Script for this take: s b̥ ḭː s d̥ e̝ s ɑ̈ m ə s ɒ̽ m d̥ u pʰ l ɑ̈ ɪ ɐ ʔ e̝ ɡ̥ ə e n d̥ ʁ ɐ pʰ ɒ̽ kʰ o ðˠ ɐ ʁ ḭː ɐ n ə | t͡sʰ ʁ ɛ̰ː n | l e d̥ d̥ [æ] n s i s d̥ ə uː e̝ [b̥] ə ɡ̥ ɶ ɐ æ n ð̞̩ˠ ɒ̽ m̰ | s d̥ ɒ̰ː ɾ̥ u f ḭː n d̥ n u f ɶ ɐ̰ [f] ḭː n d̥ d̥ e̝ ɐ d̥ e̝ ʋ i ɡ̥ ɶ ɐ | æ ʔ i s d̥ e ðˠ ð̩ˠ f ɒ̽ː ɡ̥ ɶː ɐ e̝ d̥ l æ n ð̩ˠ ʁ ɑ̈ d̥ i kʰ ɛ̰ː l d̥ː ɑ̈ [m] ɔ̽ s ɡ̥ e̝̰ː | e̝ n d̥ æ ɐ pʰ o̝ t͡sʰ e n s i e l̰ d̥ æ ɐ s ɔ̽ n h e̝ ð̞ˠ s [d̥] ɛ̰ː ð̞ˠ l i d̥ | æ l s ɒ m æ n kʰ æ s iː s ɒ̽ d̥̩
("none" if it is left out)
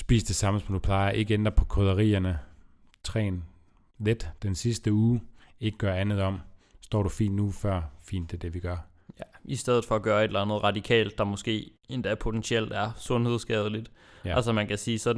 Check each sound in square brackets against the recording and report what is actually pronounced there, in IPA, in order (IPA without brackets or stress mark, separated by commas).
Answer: e, ɡ̥, f, m, ɡ̥